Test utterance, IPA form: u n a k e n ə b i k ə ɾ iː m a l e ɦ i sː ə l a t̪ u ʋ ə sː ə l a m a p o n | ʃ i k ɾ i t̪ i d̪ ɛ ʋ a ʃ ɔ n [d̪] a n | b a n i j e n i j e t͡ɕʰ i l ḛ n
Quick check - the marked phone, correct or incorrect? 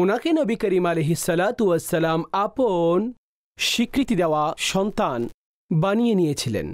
incorrect